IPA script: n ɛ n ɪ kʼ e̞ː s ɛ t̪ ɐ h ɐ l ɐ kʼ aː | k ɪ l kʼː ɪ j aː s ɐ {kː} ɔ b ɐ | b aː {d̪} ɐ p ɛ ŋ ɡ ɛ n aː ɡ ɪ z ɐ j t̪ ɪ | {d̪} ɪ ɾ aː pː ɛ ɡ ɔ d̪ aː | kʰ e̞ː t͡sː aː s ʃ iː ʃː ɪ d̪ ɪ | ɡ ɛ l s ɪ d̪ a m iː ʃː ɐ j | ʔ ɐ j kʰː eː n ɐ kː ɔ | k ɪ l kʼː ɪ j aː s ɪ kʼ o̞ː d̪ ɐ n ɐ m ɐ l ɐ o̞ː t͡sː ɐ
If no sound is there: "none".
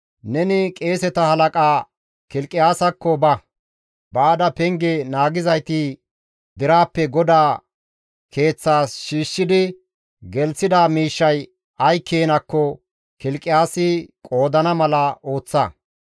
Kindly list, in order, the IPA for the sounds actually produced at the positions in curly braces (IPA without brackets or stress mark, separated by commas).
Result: kː, d̪, d̪